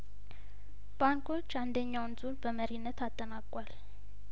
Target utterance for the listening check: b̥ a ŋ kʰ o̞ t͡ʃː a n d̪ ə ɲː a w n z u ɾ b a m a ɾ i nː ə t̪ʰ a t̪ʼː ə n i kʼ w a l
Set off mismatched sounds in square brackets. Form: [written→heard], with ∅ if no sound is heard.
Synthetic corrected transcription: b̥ a ŋ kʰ o̞ t͡ʃː a n d̪ ə ɲː a w n z u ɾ b [a→ə] m [a→ə] ɾ i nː ə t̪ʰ a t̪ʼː ə n [i→a] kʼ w a l